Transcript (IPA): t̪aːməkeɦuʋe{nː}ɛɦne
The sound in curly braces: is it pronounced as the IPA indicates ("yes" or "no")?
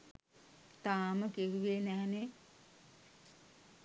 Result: no